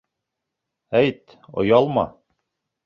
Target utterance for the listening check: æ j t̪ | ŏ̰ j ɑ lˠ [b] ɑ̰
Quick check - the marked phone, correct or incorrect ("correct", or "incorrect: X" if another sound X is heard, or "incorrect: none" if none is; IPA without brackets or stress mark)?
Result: incorrect: m